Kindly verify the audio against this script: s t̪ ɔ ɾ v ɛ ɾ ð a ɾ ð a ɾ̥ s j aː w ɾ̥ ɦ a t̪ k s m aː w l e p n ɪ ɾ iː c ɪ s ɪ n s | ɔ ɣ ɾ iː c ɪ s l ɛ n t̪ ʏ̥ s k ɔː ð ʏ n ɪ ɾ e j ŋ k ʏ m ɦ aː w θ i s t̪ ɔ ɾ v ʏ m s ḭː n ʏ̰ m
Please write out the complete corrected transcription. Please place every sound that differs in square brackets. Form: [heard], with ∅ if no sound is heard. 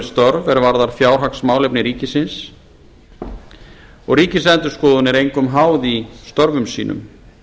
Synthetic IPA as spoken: s t̪ ɔ ɾ v ɛ ɾ [v] a ɾ ð a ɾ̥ [f] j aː w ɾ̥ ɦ a [∅] k s m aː w l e p n ɪ ɾ iː c ɪ s ɪ n s | ɔ ɣ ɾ iː c ɪ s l ɛ n t̪ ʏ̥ s k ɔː ð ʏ n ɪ ɾ e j ŋ k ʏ m ɦ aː w [ð] i s t̪ ɔ ɾ v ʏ m s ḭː n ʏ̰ m

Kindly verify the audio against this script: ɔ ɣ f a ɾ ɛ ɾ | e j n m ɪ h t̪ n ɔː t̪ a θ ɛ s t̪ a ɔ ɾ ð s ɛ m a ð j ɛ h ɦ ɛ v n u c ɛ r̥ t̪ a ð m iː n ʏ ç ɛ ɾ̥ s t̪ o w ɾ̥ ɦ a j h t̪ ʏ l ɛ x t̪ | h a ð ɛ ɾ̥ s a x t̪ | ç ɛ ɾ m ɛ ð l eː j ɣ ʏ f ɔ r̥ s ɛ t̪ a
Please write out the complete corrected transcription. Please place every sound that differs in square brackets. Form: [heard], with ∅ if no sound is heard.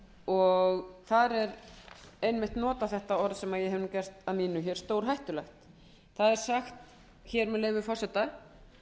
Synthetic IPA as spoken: ɔ ɣ [θ] a ɾ ɛ ɾ | e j n m ɪ h t̪ n ɔː t̪ a θ ɛ [h] t̪ a ɔ ɾ ð s ɛ m a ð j ɛ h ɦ ɛ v n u c ɛ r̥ t̪ a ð m iː n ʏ ç ɛ ɾ̥ s t̪ o w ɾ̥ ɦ a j h t̪ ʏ l ɛ x t̪ | [θ] a ð ɛ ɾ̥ s a x t̪ | ç ɛ ɾ m ɛ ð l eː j [v] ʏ f ɔ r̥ s ɛ t̪ a

